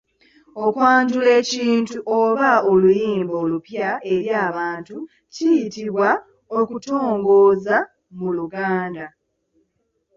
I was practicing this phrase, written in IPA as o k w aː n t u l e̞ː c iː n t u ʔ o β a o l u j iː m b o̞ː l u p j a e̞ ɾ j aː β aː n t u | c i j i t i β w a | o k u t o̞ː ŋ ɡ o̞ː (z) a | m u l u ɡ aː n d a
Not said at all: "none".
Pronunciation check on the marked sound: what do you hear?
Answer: z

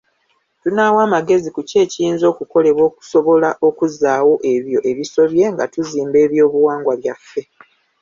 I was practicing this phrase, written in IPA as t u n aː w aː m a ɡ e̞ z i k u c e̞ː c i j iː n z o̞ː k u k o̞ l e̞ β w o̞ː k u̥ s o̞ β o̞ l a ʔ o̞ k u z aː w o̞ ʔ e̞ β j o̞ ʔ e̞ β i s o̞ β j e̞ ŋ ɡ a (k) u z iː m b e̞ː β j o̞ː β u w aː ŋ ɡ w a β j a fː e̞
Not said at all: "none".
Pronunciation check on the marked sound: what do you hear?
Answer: t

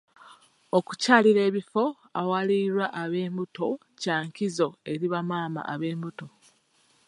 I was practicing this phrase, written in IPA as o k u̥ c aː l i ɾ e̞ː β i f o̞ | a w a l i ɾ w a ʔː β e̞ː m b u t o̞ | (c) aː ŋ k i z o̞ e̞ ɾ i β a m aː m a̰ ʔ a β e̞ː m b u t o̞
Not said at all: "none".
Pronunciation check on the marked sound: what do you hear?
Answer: c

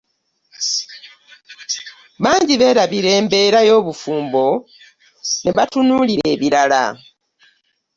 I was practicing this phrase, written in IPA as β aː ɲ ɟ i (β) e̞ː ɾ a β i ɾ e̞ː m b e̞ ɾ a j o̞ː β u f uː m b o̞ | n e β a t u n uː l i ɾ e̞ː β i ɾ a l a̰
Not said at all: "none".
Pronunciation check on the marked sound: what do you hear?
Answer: β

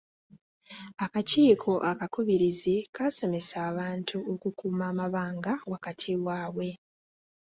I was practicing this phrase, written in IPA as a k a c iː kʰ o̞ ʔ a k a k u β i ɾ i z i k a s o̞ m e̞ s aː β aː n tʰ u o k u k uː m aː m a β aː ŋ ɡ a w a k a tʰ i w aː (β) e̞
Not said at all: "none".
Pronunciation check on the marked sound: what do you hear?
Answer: w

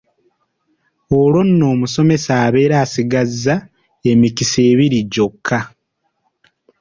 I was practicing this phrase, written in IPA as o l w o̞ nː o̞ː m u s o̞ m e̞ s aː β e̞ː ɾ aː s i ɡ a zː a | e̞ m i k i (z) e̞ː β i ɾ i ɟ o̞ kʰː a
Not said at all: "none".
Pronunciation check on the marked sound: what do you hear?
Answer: s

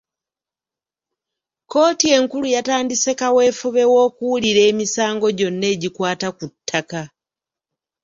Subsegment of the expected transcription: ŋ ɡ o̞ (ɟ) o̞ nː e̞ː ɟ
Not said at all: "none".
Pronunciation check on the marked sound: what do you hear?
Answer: ɟ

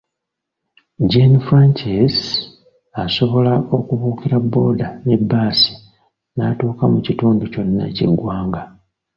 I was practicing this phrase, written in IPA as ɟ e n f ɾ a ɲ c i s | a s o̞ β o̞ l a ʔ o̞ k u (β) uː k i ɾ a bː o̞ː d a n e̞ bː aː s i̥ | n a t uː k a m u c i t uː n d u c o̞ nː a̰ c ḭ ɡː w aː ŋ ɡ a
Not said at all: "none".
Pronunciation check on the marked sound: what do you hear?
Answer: β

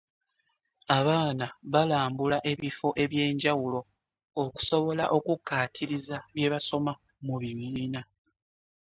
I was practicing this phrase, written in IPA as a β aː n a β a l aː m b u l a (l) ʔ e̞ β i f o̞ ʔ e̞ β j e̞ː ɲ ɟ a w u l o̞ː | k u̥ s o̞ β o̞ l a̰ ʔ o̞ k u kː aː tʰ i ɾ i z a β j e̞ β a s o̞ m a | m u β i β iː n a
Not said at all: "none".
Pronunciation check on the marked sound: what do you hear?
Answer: none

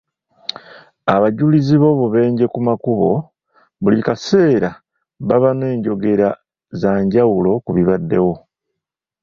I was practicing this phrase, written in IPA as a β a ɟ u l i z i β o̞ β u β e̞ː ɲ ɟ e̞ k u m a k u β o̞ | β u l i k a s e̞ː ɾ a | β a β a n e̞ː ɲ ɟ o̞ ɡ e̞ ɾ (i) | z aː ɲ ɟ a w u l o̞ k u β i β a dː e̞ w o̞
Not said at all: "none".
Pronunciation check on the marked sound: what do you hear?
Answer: a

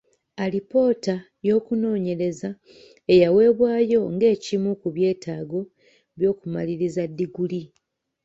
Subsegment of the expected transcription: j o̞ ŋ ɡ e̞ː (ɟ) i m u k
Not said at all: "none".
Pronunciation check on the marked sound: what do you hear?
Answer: c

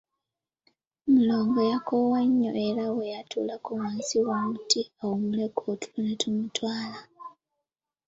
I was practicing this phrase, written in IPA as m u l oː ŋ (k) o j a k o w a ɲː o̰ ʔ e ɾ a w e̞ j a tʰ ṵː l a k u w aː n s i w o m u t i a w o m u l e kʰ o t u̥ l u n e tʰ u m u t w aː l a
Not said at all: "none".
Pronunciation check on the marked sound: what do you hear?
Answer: ɡ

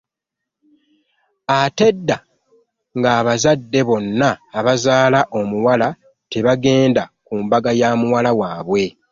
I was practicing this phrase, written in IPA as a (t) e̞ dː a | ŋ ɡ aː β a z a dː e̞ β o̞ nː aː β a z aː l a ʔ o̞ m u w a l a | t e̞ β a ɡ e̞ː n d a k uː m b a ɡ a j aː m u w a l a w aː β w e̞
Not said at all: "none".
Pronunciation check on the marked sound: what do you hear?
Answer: t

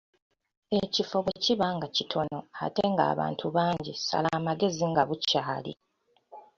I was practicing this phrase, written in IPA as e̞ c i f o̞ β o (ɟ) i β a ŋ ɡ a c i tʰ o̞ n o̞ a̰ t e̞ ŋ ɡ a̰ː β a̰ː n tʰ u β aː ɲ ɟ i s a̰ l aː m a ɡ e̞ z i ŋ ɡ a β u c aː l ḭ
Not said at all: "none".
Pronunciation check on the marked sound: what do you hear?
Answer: c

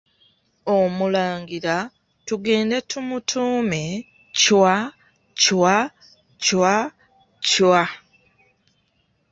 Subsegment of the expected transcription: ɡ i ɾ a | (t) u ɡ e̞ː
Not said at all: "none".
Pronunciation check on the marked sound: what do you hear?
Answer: t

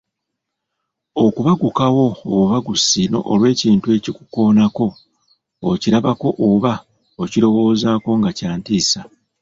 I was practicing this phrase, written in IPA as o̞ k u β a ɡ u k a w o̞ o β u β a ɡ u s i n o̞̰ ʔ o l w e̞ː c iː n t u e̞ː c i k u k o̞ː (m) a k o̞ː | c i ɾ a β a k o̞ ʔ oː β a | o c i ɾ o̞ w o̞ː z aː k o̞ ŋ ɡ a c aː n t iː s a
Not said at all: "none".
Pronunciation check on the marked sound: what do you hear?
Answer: n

